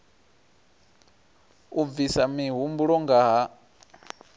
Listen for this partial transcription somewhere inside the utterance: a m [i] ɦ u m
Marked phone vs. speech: correct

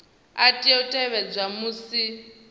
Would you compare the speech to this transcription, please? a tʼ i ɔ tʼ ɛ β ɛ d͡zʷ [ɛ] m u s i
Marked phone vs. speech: incorrect: a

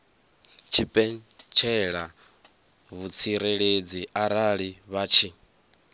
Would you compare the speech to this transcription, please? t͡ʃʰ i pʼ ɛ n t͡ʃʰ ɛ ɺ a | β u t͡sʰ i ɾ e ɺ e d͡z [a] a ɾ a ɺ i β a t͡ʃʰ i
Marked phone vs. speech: incorrect: i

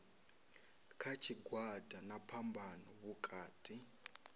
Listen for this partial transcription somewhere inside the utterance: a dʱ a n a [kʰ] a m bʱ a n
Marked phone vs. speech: incorrect: pʰ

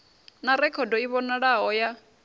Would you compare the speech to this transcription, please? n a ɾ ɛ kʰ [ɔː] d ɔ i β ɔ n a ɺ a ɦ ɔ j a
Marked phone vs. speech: incorrect: ɔ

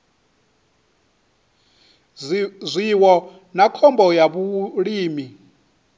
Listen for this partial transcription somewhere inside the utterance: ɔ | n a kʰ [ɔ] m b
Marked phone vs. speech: correct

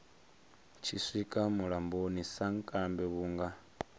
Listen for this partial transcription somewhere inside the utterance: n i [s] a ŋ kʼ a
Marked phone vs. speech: correct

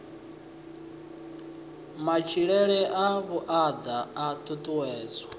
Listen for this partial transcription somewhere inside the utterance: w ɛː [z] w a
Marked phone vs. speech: correct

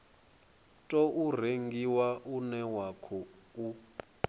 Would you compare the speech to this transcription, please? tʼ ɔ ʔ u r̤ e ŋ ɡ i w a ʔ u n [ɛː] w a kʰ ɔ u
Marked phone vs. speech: incorrect: ɛ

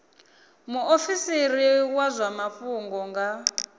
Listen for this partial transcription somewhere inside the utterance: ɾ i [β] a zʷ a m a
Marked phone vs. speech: incorrect: w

